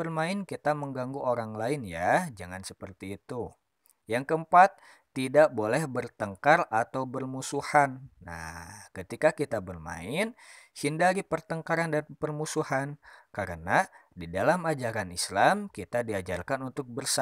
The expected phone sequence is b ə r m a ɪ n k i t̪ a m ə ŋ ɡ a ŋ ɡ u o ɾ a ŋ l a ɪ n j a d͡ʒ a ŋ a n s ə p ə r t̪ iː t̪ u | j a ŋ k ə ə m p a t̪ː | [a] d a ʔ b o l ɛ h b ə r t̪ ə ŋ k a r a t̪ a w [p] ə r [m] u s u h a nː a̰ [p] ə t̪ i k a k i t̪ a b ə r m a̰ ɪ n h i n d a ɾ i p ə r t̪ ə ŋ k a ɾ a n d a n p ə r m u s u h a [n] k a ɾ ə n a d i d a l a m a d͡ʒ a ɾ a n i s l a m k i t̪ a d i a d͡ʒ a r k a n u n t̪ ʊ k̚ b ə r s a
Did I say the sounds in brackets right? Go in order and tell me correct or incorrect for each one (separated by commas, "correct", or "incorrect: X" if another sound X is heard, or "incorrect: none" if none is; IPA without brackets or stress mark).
incorrect: i, incorrect: b, correct, incorrect: k, correct